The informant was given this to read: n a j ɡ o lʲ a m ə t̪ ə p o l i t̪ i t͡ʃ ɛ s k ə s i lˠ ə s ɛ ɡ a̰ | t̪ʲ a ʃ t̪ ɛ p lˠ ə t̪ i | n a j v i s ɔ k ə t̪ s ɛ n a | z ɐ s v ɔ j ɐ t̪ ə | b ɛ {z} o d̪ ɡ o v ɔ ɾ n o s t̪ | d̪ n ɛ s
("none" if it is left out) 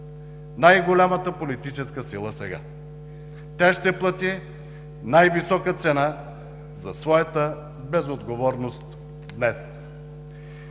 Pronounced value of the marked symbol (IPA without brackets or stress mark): z